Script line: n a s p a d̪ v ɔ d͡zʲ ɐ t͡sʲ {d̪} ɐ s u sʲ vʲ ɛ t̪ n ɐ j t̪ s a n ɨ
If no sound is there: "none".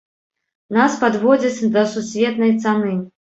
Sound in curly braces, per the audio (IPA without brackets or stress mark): d̪